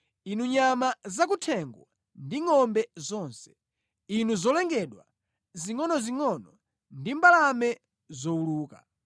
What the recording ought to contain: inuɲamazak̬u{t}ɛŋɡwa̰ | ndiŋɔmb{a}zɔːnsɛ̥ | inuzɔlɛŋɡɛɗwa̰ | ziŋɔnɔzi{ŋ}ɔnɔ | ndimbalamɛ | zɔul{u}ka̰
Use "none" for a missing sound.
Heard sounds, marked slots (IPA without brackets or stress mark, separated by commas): tʰ, ɛ, ŋ, uː